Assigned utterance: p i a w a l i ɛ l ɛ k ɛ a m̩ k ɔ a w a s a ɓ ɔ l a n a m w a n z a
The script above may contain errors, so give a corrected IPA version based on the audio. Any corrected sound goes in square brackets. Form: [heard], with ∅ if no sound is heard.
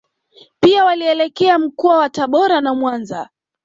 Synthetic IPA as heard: p i a w a l i ɛ l ɛ k ɛ a m̩ k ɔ a w a [t] a ɓ ɔ [ɾ] a n a m w a n z a